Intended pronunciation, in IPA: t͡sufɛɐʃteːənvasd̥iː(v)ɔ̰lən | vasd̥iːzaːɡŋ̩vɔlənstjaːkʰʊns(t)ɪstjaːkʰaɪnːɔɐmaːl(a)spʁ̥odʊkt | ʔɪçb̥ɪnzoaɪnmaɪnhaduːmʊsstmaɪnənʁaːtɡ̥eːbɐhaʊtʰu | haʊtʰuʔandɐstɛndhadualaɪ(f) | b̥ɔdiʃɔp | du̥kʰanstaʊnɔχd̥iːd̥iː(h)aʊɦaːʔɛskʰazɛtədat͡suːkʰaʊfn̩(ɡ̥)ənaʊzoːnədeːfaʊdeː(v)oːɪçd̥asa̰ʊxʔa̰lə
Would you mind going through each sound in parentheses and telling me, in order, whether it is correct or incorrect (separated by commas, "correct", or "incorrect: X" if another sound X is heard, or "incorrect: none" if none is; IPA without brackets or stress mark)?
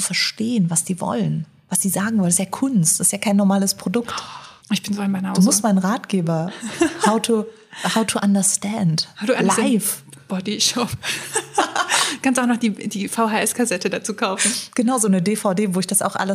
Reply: correct, correct, incorrect: ə, correct, incorrect: f, correct, correct